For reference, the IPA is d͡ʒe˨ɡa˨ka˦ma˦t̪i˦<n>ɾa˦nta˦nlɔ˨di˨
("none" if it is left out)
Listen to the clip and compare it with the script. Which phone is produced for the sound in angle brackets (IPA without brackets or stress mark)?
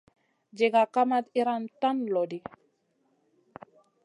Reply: none